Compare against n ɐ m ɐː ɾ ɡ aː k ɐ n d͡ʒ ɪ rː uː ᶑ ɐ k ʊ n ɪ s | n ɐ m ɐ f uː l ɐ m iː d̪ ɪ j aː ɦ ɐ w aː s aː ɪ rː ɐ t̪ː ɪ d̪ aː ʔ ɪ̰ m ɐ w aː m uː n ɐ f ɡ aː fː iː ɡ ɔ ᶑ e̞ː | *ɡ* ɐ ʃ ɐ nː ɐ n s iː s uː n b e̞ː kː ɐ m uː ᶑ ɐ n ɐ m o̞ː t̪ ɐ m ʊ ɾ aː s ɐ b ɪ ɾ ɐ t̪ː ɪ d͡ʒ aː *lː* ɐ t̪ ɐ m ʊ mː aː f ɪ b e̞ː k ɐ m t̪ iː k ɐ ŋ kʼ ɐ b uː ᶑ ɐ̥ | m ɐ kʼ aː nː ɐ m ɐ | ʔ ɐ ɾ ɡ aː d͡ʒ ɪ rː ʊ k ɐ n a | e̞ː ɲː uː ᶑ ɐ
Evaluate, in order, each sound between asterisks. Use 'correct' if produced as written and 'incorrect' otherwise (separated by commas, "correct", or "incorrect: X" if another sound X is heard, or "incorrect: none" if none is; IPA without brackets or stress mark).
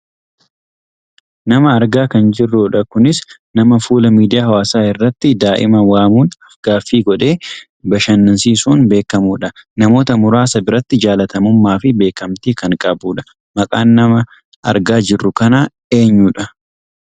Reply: incorrect: b, incorrect: l